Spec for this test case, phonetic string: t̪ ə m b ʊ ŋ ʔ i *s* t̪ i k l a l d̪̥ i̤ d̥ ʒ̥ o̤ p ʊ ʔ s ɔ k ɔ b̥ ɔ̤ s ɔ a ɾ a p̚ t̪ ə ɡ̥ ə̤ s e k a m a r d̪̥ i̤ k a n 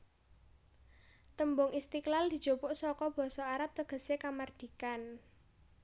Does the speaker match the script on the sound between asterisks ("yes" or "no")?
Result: yes